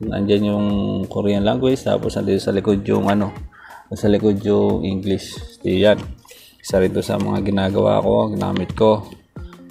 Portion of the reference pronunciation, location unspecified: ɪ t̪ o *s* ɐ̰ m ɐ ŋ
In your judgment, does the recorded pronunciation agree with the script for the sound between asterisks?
yes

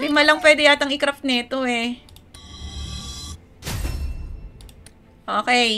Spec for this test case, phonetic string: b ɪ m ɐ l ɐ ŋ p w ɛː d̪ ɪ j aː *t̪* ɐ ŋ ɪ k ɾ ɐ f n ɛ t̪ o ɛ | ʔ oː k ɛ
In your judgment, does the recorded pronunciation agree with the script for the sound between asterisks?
yes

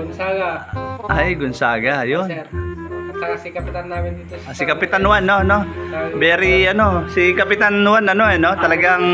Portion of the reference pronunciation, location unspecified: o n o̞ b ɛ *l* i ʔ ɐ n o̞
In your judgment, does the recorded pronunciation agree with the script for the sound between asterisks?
no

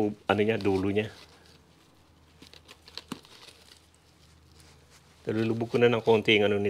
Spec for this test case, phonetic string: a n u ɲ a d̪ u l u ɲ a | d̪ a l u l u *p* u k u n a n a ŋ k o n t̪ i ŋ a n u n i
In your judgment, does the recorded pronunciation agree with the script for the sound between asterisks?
no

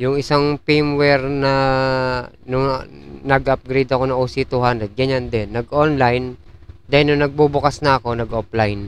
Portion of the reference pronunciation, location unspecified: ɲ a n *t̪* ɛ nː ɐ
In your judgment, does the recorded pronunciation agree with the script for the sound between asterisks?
no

